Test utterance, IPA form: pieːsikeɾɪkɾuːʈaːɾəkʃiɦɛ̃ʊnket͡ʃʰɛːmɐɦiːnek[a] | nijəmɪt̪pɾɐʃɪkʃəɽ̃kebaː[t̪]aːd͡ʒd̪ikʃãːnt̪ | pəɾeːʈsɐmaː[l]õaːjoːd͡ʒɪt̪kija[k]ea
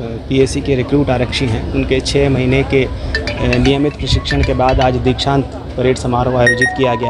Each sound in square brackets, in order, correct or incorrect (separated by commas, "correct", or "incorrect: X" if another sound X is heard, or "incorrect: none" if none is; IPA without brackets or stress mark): incorrect: e, incorrect: d̪, incorrect: ɾ, incorrect: ɡ